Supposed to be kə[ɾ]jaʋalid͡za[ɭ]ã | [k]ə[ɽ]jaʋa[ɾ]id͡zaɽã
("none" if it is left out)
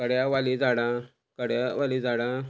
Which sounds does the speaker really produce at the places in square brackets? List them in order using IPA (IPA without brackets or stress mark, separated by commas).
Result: ɽ, ɽ, k, ɽ, l